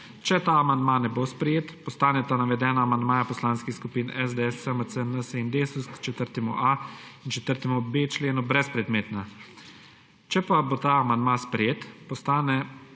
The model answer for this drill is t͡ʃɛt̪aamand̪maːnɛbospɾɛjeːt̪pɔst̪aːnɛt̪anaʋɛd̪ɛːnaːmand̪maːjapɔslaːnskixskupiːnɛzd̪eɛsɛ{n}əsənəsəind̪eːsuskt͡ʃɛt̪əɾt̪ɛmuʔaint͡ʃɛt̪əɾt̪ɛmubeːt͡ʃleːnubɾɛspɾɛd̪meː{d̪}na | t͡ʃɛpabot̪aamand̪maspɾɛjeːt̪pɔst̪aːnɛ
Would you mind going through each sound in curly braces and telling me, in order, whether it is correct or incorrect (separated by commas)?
incorrect, incorrect